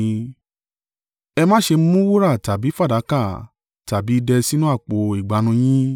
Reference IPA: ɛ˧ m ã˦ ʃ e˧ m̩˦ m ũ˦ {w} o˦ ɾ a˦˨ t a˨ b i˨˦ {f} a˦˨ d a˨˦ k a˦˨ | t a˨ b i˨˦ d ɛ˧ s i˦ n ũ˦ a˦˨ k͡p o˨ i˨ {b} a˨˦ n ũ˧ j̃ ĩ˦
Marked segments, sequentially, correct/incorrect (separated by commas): correct, correct, incorrect